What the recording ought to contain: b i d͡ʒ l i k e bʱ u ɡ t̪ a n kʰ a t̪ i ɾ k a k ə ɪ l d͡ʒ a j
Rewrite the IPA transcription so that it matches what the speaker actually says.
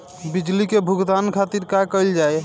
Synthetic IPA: b i d͡ʒ l i k e bʱ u ɡ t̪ a n kʰ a t̪ i ɾ k a k ə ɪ l d͡ʒ a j